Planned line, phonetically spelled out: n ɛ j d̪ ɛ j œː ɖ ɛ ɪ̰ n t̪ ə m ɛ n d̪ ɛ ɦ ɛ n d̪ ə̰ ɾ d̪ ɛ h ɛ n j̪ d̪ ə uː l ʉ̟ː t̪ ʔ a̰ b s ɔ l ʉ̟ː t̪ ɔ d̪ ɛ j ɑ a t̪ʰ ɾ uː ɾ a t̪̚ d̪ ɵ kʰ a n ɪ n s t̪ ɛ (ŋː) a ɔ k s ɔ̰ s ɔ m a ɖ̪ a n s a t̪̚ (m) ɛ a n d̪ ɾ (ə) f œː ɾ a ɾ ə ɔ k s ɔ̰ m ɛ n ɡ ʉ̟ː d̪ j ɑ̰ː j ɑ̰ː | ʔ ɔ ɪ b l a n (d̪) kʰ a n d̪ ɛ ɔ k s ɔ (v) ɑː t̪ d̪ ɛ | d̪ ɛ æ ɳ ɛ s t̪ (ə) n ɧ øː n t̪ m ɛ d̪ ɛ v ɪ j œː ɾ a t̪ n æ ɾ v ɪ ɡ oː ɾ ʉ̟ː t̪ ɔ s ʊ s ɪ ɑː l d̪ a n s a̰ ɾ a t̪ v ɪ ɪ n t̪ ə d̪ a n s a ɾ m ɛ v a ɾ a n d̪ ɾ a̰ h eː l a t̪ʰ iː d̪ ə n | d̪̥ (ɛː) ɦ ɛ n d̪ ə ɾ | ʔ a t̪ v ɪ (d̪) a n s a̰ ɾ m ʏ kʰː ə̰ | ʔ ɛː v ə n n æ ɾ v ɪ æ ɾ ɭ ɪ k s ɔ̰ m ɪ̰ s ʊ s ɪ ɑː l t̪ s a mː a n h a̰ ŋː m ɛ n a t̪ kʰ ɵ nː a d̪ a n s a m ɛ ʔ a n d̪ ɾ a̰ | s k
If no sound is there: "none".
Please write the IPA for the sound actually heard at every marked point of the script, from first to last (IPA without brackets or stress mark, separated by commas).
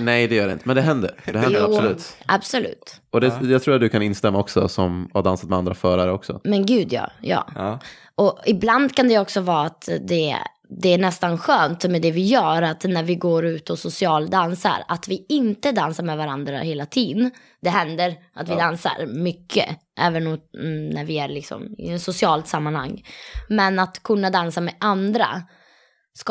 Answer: mː, m, a, d̪, v, a, ɛ, d̪